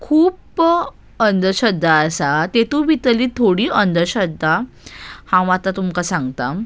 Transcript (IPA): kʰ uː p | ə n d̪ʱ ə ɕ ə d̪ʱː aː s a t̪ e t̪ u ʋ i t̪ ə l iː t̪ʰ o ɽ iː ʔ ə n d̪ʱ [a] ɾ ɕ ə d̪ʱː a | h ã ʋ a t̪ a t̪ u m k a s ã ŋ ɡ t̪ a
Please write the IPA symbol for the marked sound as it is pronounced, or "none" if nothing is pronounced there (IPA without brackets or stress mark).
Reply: ə